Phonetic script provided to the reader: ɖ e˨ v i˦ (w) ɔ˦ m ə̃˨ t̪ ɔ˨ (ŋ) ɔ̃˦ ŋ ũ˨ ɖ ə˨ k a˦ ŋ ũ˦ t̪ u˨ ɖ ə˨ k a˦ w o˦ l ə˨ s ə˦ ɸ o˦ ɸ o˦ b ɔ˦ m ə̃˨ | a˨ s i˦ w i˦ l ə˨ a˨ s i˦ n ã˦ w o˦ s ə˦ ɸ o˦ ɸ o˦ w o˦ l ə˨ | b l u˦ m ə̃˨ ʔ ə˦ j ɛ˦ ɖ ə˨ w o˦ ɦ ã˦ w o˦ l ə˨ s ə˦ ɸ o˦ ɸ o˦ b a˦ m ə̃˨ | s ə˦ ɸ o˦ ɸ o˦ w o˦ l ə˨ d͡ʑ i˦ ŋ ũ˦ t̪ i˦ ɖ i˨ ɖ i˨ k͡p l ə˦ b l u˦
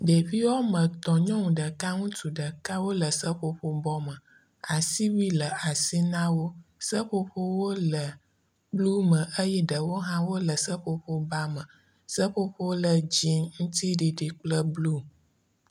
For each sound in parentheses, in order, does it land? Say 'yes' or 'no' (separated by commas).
yes, no